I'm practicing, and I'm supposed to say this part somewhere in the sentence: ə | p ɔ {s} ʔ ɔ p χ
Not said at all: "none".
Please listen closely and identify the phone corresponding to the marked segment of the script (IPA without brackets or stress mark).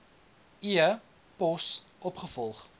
s